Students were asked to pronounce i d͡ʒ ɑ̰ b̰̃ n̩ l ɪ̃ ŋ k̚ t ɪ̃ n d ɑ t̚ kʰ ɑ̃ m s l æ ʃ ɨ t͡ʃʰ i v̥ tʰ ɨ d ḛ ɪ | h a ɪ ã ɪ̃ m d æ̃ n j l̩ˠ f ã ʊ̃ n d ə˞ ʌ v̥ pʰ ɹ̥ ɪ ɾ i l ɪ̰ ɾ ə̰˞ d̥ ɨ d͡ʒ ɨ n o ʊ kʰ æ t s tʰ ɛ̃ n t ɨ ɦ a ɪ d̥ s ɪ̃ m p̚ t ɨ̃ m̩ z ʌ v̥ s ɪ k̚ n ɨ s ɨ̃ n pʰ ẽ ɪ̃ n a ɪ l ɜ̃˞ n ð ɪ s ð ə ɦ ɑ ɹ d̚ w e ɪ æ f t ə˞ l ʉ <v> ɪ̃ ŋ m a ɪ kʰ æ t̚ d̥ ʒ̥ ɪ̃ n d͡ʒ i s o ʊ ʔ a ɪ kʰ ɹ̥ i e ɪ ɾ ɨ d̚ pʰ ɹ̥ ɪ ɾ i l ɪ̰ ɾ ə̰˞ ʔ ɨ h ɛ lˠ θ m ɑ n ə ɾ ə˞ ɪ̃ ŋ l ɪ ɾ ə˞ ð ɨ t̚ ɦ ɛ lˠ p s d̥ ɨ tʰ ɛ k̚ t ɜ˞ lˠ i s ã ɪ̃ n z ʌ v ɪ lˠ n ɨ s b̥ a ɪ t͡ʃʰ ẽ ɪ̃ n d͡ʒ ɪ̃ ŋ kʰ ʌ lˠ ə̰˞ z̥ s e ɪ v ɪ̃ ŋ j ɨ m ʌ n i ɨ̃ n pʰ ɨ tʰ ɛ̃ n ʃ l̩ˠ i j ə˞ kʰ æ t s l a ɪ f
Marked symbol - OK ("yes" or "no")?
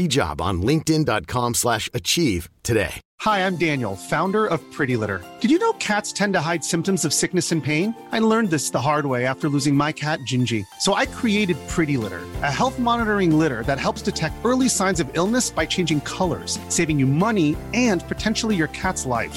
no